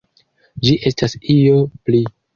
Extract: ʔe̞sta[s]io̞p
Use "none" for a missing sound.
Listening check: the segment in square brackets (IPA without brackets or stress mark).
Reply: s